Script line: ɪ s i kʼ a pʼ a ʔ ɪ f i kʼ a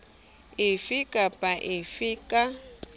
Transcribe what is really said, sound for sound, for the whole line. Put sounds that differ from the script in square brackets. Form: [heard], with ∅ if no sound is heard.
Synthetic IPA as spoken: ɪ [f] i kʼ a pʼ a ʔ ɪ f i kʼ a